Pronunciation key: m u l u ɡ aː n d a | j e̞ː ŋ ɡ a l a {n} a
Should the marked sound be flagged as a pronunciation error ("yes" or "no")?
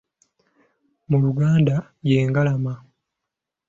yes